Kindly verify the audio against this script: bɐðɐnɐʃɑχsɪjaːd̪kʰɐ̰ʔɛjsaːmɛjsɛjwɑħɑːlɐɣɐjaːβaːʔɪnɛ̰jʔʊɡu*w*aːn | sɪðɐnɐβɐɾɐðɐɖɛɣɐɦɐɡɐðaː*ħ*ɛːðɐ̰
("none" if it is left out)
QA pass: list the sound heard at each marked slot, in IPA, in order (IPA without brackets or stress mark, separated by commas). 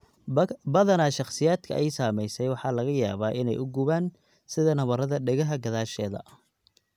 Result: β, ʃ